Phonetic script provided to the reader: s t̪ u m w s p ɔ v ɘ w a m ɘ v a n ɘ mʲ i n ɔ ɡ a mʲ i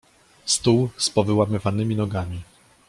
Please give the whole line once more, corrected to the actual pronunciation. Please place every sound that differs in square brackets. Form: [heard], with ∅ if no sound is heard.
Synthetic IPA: s t̪ u [∅] w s p ɔ v ɘ w a m ɘ v a n ɘ mʲ i n ɔ ɡ a mʲ i